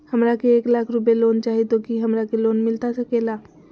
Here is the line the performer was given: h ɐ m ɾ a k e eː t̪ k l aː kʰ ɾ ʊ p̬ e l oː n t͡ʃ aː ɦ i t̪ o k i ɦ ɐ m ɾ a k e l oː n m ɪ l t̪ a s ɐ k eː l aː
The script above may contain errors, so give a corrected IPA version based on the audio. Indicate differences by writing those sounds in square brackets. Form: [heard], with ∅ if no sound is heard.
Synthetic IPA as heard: h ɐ m ɾ a k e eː [∅] k l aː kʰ ɾ ʊ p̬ e l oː n t͡ʃ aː ɦ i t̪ o k i ɦ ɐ m ɾ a k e l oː n m ɪ l t̪ a s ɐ k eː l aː